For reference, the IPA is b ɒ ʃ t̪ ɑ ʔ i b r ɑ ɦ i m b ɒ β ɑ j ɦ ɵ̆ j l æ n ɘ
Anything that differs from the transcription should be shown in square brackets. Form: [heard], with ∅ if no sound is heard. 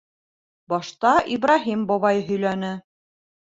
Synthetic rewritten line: b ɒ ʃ t̪ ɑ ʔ i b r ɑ ɦ i m b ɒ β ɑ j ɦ ɵ̆ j l æ n ɘ